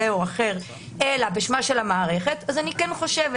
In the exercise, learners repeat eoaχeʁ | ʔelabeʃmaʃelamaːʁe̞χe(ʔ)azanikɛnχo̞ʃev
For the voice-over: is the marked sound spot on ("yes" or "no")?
no